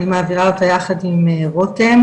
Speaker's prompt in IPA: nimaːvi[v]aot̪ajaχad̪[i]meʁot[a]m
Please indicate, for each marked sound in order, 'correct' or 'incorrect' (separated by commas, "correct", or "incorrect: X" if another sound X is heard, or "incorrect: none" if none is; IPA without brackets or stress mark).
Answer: incorrect: ʁ, correct, incorrect: e